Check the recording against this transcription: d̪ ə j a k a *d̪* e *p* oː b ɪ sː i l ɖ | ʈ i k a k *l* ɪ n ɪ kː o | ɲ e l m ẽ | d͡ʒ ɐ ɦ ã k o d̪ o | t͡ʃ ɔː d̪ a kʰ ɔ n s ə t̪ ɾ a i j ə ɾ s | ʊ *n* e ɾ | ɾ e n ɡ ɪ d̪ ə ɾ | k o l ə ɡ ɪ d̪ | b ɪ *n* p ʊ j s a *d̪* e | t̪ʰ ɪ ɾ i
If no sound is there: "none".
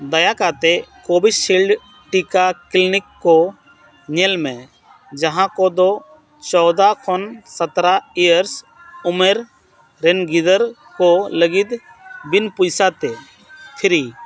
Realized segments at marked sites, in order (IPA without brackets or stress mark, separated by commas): t̪, k, l, m, n, t̪